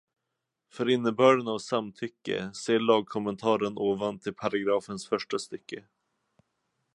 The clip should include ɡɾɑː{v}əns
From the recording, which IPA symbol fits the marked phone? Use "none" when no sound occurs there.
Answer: f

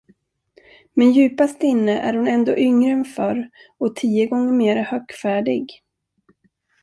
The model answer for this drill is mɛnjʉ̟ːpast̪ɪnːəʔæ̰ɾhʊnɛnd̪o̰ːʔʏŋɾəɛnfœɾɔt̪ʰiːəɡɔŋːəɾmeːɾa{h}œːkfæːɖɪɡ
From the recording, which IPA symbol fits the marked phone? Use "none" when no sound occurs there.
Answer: h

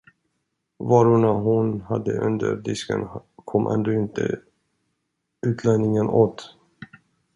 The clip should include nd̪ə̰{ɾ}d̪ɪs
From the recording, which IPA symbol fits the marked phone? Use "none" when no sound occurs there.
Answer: ɾ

